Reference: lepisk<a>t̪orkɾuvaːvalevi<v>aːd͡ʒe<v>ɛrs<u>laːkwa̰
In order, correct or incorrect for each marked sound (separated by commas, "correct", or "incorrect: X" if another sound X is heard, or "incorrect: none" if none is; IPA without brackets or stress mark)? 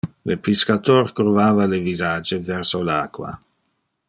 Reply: correct, incorrect: z, correct, incorrect: o